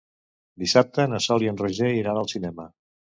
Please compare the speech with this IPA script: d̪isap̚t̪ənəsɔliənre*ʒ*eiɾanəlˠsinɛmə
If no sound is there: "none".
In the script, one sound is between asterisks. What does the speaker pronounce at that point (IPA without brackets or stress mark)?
ʒ